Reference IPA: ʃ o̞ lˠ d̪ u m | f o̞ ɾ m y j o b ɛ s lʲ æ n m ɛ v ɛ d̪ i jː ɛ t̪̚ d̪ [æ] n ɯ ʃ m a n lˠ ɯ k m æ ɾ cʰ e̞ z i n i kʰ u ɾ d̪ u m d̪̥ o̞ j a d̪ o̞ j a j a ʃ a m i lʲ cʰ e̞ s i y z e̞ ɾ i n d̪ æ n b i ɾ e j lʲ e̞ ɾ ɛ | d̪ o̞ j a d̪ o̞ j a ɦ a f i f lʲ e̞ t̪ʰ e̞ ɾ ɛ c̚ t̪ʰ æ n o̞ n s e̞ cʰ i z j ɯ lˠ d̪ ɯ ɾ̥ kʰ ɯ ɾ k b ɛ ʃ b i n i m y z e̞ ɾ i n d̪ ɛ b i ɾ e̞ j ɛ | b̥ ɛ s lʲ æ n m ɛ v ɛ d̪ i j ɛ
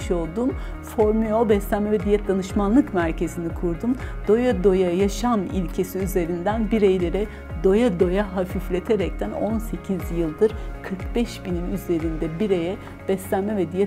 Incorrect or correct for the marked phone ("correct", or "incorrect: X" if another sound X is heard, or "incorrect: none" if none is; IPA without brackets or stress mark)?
incorrect: a